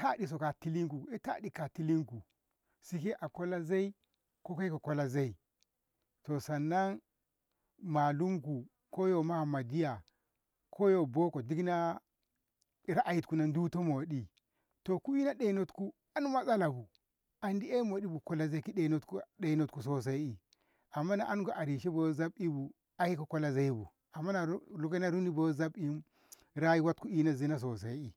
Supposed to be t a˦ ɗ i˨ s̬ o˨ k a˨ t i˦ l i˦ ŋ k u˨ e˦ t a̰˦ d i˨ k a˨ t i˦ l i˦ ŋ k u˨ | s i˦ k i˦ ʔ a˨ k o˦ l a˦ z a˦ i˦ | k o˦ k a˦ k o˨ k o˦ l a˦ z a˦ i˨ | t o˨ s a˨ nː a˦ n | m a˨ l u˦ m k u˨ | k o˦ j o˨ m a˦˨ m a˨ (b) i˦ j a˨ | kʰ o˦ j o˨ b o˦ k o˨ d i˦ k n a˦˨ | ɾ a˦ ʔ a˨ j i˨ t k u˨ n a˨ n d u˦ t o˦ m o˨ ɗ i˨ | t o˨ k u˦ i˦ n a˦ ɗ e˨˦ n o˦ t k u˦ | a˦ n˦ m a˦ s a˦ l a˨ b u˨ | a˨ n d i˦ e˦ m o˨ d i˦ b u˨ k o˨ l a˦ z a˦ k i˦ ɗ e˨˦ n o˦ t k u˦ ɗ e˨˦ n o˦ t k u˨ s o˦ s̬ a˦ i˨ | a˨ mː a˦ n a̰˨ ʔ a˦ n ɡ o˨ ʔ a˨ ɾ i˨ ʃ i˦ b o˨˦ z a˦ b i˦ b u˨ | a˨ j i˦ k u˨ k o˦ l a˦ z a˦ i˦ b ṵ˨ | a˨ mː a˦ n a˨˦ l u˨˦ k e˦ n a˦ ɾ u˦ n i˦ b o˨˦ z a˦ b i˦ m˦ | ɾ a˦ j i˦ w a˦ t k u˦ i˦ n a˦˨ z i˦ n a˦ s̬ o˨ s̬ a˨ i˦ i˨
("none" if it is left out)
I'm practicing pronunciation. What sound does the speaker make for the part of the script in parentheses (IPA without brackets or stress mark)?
d